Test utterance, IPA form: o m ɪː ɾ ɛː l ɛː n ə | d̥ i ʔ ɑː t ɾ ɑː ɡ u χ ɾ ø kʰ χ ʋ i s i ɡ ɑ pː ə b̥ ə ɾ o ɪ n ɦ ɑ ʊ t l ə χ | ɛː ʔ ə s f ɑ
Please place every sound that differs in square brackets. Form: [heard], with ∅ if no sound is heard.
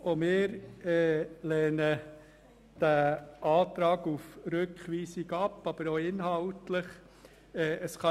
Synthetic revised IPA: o m ɪː ɾ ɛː l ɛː n ə | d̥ [æ] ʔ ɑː t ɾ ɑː ɡ u [f] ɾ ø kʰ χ ʋ [iː] s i ɡ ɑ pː [ɑ] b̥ ə ɾ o ɪ n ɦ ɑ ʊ t l ə χ | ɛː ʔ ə s [χ] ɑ